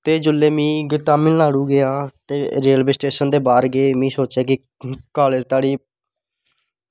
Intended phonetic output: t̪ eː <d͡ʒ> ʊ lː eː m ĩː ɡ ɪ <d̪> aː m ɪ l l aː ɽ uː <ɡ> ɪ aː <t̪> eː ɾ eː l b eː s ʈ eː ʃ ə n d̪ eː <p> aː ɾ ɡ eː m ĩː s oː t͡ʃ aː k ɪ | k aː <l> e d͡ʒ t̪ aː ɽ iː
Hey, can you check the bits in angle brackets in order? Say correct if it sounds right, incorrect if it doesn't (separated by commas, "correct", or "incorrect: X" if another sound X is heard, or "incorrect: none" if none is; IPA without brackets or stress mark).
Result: correct, incorrect: t̪, correct, correct, incorrect: b, correct